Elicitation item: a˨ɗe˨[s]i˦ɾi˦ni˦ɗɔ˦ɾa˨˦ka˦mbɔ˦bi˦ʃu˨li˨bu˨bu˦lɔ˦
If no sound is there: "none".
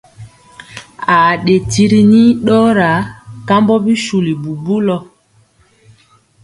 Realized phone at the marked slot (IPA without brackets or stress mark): t